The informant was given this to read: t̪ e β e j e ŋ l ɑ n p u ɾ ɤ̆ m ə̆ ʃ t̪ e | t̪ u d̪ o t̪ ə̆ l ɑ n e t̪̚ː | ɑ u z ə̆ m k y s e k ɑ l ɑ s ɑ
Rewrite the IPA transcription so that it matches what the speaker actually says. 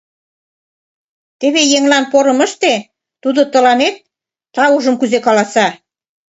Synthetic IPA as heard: t̪ e β e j e ŋ l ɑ n p o ɾ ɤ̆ m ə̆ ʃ t̪ e | t̪ u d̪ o t̪ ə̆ l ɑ n e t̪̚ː | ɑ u ʒ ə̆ m k y z e k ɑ l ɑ s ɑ